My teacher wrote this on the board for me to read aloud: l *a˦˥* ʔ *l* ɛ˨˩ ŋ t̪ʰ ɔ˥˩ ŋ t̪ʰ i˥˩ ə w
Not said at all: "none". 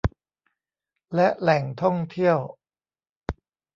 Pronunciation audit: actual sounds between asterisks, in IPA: ɛ˦˥, l

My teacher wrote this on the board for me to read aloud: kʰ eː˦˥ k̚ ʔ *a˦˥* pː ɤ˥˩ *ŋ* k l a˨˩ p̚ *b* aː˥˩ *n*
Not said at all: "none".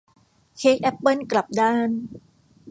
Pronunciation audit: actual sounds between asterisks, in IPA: ɛ˦˥, n, d, n

